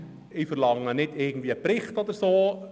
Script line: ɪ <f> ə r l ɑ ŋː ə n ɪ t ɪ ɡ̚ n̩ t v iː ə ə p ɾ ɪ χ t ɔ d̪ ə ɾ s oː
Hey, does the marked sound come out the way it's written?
yes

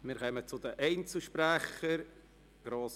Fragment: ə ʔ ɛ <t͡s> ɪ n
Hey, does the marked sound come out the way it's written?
no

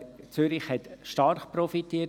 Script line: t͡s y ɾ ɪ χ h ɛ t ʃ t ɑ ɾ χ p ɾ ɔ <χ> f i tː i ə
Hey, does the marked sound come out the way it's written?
no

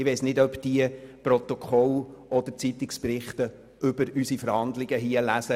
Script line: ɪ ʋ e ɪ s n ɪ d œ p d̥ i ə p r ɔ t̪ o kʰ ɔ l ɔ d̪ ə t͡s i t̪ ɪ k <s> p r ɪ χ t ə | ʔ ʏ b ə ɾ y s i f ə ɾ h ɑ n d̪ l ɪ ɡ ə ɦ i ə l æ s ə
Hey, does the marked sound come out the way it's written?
yes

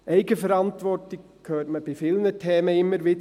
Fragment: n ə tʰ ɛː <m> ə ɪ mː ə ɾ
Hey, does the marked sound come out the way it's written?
yes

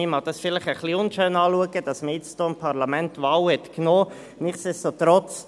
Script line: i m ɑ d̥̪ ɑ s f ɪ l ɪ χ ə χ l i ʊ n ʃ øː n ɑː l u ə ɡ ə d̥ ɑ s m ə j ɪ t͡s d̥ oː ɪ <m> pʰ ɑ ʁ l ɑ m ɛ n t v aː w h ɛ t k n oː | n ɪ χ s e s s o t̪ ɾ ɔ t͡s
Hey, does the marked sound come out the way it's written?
yes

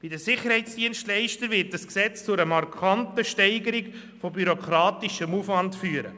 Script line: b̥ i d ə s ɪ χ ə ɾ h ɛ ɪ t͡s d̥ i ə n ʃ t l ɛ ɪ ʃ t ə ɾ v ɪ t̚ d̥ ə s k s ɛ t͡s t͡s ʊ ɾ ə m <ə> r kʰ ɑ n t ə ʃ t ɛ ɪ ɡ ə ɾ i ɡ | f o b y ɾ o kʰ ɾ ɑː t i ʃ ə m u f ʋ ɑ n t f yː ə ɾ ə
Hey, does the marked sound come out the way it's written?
no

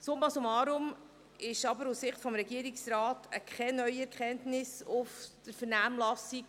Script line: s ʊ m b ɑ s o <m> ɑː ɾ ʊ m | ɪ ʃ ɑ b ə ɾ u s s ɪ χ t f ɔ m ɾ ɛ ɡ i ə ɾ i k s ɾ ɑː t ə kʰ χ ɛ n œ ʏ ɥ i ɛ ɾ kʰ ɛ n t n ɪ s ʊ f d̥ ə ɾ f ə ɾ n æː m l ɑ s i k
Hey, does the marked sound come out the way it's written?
yes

